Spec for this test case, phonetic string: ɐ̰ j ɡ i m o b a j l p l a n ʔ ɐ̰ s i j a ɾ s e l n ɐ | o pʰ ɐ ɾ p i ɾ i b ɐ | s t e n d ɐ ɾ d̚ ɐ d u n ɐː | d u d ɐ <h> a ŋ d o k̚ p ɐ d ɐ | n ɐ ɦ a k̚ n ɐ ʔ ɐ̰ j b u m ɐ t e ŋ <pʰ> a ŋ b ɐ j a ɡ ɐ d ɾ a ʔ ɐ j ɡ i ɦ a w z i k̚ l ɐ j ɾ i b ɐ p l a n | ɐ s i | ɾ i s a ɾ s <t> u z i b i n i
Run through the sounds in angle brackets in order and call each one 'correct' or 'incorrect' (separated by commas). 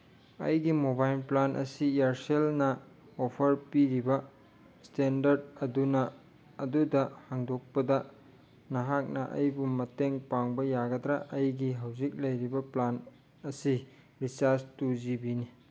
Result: correct, incorrect, correct